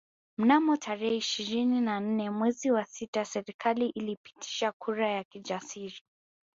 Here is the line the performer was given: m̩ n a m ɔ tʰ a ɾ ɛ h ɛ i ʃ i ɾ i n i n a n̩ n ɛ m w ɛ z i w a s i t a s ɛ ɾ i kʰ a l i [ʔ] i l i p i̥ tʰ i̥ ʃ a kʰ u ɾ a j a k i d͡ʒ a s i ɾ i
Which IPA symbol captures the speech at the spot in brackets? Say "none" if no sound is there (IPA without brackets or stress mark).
ʔ